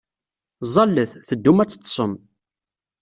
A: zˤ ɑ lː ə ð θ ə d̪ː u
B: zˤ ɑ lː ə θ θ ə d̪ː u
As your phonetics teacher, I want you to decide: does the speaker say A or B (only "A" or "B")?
B